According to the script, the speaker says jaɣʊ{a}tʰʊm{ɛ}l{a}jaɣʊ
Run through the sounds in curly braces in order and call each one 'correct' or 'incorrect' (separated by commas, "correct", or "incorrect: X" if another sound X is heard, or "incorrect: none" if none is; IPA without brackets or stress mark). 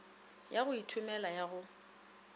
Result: incorrect: i, correct, correct